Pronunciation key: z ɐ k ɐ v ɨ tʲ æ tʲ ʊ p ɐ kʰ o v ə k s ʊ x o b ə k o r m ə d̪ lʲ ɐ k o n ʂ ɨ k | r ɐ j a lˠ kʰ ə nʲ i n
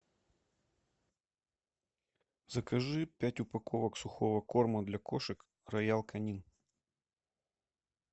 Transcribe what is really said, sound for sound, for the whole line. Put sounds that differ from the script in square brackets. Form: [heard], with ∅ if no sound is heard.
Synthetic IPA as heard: z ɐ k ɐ [ʐ] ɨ [pʲ] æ tʲ ʊ p ɐ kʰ o v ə k s ʊ x o [v] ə k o r m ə d̪ lʲ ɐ k o [∅] ʂ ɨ k | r ɐ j a lˠ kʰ [ɐ] nʲ i n